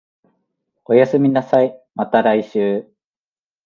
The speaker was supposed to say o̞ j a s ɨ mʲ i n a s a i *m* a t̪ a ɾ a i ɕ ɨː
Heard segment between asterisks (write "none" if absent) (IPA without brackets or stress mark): m